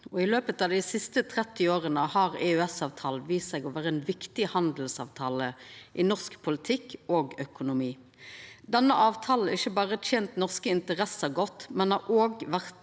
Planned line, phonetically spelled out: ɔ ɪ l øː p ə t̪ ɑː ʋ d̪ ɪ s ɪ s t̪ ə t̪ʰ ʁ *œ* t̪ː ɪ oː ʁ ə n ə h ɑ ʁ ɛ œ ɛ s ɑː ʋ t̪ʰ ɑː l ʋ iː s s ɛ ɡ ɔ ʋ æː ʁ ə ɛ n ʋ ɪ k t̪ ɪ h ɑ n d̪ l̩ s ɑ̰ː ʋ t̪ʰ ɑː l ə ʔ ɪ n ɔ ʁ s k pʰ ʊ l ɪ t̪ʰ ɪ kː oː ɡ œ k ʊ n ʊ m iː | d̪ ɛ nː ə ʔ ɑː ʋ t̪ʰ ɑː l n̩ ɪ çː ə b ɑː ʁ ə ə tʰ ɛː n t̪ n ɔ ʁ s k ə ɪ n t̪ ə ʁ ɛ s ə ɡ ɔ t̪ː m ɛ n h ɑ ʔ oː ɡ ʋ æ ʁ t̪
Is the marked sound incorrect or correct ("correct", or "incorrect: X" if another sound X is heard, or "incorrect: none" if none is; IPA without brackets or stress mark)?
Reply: incorrect: ɛ